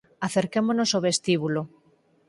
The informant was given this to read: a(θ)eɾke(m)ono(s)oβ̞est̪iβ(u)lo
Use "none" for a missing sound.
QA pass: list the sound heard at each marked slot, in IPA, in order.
θ, m, s, u

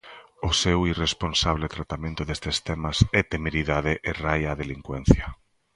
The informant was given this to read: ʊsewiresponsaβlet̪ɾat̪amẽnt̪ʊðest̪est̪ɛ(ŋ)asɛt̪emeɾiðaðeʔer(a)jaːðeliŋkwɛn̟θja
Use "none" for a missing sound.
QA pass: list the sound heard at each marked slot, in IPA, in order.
m, a

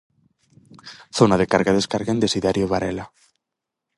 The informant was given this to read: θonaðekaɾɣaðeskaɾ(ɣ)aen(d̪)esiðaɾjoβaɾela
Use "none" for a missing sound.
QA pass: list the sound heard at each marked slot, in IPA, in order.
ɣ, d̪

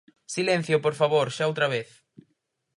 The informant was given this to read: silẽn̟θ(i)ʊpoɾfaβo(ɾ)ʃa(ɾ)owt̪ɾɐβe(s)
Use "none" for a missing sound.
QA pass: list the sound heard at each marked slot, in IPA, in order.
j, ɾ, none, θ

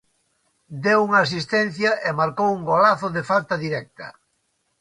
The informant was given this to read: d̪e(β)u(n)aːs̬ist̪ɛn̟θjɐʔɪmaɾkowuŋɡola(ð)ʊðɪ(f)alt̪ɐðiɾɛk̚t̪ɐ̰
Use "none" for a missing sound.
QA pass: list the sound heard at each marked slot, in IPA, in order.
w, ŋ, θ, f

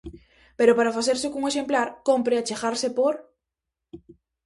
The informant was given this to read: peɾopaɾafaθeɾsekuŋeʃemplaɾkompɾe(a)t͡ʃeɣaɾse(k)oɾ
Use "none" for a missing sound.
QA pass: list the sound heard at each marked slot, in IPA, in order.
a, p

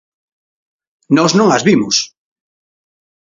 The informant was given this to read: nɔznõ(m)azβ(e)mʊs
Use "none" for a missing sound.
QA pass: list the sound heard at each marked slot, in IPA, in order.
ŋ, i

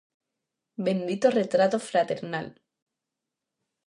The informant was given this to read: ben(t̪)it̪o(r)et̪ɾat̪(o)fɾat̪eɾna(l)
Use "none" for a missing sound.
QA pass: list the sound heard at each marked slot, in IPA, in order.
d̪, r, o, l

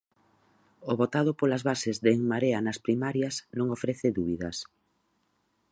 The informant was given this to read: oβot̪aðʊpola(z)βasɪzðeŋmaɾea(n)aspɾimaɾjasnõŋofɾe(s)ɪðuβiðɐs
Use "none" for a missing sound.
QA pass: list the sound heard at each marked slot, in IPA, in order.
z, n, θ

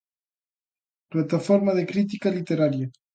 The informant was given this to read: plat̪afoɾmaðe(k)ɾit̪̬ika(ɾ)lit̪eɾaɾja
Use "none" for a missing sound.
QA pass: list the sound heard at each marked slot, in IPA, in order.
k, none

